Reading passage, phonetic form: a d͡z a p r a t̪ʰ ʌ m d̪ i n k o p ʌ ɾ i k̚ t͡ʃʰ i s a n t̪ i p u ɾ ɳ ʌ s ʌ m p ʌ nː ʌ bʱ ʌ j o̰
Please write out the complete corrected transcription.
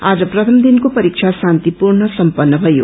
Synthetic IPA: a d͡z ʌ p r ʌ t̪ʰ ʌ m d̪ i n k o p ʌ ɾ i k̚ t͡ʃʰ a s a n t̪ i p u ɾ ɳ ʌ s ʌ m p ʌ nː ʌ bʱ ʌ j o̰